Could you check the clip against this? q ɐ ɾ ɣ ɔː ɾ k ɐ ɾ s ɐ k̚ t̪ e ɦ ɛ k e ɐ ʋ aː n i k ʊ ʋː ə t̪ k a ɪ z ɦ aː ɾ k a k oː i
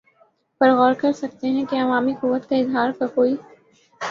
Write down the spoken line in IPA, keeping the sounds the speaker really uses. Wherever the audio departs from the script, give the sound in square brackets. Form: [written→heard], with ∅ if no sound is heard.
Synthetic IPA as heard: [q→p] ɐ ɾ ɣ ɔː ɾ k ɐ ɾ s ɐ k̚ t̪ e ɦ [ɛ→ɛ̃] k e ɐ ʋ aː [n→m] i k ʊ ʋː ə t̪ k a ɪ z ɦ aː ɾ k a k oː i